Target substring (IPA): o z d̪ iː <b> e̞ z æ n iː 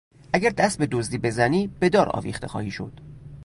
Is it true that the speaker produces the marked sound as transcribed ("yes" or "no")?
yes